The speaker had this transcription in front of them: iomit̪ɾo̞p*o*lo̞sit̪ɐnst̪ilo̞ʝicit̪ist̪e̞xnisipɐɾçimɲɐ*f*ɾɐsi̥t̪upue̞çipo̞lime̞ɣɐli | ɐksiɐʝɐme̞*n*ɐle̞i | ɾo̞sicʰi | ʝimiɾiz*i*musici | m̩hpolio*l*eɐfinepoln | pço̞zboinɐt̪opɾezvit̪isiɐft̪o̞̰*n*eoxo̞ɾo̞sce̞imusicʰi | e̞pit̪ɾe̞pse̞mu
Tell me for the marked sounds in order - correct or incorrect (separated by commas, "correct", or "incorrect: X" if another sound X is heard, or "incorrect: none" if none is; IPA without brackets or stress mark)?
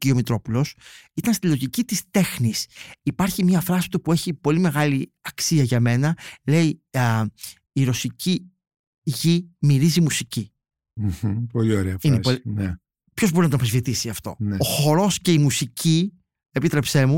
incorrect: u, correct, correct, correct, incorrect: ɾ, correct